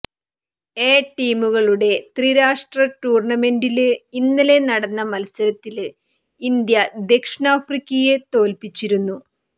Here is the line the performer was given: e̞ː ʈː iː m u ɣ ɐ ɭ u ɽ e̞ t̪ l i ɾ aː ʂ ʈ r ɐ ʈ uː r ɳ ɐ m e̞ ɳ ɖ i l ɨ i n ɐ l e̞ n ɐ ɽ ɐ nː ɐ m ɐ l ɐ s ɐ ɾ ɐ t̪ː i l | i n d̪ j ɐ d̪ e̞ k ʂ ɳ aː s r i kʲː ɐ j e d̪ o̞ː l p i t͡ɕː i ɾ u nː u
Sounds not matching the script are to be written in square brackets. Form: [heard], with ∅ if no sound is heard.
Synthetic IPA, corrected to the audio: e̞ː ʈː iː m u ɣ ɐ ɭ u ɽ e̞ t̪ [r] i ɾ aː ʂ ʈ r ɐ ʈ uː r ɳ ɐ m e̞ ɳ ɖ i l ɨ i [nː] ɐ l e̞ n ɐ ɽ ɐ nː ɐ m ɐ l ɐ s ɐ ɾ ɐ t̪ː i l | i n d̪ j ɐ d̪ e̞ k ʂ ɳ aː [f] r i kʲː ɐ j e [t̪] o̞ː l p i t͡ɕː i ɾ u nː u